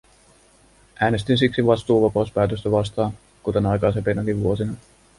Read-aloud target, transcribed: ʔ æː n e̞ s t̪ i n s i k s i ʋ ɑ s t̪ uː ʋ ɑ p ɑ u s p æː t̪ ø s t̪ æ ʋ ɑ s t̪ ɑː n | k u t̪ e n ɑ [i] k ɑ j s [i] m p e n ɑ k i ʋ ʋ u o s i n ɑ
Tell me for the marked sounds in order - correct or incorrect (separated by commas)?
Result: incorrect, incorrect